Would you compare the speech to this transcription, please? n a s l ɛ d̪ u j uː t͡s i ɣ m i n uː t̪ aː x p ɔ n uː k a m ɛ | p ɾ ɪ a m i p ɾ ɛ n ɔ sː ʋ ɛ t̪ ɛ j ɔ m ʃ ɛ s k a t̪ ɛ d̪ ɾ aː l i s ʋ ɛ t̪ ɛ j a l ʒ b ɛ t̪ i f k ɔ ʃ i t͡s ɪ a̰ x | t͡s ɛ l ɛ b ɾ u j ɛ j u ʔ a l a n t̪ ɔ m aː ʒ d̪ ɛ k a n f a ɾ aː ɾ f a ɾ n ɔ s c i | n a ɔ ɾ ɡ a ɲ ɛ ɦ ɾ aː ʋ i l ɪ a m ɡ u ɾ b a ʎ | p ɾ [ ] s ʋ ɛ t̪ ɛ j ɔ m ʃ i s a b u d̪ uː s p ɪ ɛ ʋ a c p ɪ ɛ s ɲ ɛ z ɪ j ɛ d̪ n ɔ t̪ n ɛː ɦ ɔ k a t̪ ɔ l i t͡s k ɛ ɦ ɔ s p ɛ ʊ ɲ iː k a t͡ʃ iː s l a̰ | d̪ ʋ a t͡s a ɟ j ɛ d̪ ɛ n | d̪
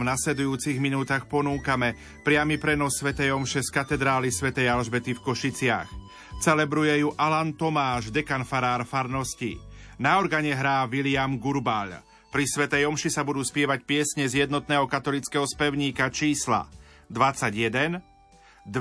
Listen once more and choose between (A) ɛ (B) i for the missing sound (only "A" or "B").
B